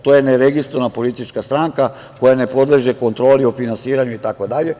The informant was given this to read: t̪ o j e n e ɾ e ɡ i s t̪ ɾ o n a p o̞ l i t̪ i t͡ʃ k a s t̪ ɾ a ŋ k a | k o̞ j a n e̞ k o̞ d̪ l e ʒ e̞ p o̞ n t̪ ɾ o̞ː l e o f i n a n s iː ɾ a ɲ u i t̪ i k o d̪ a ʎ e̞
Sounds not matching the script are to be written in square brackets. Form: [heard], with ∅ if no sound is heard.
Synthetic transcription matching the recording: t̪ o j e n e ɾ e ɡ i s t̪ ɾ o n a p o̞ l i t̪ i t͡ʃ k a s t̪ ɾ a ŋ k a | k o̞ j a n e̞ [p] o̞ d̪ l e ʒ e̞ [k] o̞ n t̪ ɾ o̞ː l [i] o f i n a n s iː ɾ a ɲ u i t̪ [a] k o d̪ a ʎ e̞

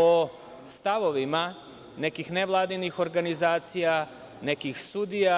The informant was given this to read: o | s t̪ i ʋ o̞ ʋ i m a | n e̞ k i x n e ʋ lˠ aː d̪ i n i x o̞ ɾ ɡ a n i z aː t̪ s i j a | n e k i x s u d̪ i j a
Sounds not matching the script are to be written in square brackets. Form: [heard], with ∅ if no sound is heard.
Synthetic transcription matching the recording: o | s t̪ [a] ʋ o̞ ʋ i m a | n e̞ k i x n e ʋ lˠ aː d̪ i n i x o̞ ɾ ɡ a n i z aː t̪ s i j a | n e k i x s u d̪ i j a

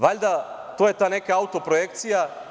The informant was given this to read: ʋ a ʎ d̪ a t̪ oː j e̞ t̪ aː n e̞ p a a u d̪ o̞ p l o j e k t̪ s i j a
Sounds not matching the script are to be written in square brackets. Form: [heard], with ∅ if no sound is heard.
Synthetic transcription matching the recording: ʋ a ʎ d̪ a t̪ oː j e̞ t̪ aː n e̞ [k] a a u [t̪] o̞ p [ɾ] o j e k t̪ s i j a

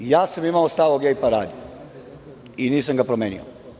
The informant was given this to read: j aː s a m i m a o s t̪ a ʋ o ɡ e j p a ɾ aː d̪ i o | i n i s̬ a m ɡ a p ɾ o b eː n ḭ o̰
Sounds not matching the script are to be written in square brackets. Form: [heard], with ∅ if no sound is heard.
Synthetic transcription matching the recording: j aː s a m i m a o s t̪ a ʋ o ɡ e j p a ɾ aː d̪ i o | i n [iː] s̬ a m ɡ a p ɾ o [m] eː n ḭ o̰

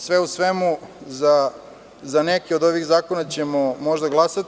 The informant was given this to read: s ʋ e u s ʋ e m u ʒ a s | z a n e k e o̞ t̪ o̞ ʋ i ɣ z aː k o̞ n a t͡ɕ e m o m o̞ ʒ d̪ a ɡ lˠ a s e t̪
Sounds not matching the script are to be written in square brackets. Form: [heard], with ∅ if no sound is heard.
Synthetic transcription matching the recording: s ʋ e u s ʋ e m u [z] a [∅] | z a n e k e o̞ [d̪] o̞ ʋ i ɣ z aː k o̞ n a t͡ɕ e m o m o̞ ʒ d̪ a ɡ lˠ a s [a] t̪

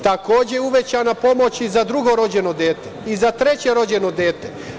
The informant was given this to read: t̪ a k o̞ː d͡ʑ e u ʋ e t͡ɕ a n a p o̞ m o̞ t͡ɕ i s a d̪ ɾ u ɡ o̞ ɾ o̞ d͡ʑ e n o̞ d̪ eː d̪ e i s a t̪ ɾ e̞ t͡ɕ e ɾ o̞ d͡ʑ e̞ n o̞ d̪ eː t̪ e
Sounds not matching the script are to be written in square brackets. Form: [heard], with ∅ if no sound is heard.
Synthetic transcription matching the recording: t̪ a k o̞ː d͡ʑ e u ʋ e t͡ɕ a n a p o̞ m o̞ t͡ɕ i [z] a d̪ ɾ u ɡ o̞ ɾ o̞ d͡ʑ e n o̞ d̪ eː [t̪] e i [z] a t̪ ɾ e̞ t͡ɕ e ɾ o̞ d͡ʑ e̞ n o̞ d̪ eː t̪ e

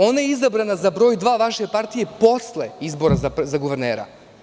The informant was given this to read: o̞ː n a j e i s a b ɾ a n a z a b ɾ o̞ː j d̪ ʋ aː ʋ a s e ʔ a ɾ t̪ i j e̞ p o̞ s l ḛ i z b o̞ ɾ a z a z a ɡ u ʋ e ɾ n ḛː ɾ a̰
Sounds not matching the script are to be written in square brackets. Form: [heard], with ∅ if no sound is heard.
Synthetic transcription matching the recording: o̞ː n a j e i [z] a b ɾ a n a z a b ɾ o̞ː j d̪ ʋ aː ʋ a [ʃ] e [p] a ɾ t̪ i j e̞ p o̞ s l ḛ i z b o̞ ɾ a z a z a ɡ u ʋ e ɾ n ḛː ɾ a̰

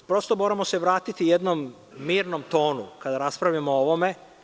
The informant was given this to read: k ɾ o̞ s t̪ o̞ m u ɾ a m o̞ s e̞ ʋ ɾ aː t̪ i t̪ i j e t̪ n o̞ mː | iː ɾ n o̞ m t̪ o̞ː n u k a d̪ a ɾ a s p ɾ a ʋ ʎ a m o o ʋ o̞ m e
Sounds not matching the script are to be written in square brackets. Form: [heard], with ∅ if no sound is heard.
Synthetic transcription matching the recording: [p] ɾ o̞ s t̪ o̞ m [o] ɾ a m o̞ s e̞ ʋ ɾ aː t̪ i t̪ i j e [d̪] n o̞ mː | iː ɾ n o̞ m t̪ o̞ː n u k a d̪ a ɾ a s p ɾ a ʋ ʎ a m o o ʋ o̞ m e

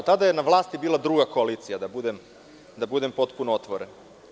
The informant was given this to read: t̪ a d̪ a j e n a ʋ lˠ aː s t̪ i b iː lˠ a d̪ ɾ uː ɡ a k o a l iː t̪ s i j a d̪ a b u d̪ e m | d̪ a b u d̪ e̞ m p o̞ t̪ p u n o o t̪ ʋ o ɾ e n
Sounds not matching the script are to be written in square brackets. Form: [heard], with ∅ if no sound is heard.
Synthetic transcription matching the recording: t̪ a d̪ a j e n a ʋ lˠ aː s t̪ i b iː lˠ a d̪ ɾ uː ɡ a k o a l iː t̪ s i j a d̪ a b u d̪ e m | d̪ a b u d̪ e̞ m p o̞ t̪ p u n o o t̪ ʋ o ɾ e n

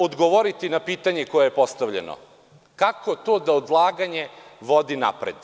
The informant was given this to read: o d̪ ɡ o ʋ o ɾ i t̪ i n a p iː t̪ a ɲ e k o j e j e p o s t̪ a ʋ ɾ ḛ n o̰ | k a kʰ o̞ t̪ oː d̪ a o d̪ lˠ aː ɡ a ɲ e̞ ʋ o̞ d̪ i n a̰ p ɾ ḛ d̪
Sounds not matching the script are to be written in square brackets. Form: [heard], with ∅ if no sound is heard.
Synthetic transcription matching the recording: o d̪ ɡ o ʋ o ɾ i t̪ i n a p iː t̪ a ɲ e k o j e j e p o s t̪ a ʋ [ʎ] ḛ n o̰ | k a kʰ o̞ t̪ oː d̪ a o d̪ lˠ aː ɡ a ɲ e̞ ʋ o̞ d̪ i n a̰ p ɾ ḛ d̪

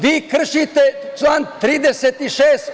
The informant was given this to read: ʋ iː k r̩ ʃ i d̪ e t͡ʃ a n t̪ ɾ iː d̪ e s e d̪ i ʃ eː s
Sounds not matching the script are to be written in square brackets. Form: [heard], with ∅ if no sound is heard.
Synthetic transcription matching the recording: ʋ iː k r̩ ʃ i [t̪] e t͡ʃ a n t̪ ɾ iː d̪ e s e [t̪] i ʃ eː s

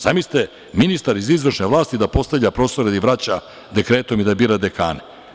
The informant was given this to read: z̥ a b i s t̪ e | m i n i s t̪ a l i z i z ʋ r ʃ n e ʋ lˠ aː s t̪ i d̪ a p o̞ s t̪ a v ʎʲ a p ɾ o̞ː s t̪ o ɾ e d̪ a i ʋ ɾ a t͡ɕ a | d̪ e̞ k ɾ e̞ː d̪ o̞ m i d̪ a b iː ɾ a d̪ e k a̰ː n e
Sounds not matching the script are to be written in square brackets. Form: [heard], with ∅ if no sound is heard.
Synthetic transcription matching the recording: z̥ a [m] i s t̪ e | m i n i s t̪ a [ɾ] i z i z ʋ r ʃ n e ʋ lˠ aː s t̪ i d̪ a p o̞ s t̪ a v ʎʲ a p ɾ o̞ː s t̪ o ɾ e d̪ a i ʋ ɾ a t͡ɕ a | d̪ e̞ k ɾ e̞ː [t̪] o̞ m i d̪ a b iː ɾ a d̪ e k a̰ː n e

